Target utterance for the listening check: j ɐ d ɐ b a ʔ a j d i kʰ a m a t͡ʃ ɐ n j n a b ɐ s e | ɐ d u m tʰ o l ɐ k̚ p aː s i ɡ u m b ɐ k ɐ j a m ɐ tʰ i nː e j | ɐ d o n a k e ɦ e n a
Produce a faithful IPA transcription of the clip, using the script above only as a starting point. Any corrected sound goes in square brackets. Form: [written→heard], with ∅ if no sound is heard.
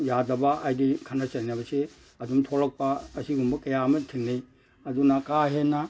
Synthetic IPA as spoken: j [ɐ→a] d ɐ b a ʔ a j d i kʰ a [m→n] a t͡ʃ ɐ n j n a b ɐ s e | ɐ d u m tʰ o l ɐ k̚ p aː s i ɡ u m b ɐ k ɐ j a m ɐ tʰ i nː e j | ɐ d [o→u] n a k [e→a] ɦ e n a